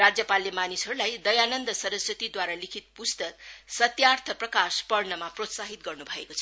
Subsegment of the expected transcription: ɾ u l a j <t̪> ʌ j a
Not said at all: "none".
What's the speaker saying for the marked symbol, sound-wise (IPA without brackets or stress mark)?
d̪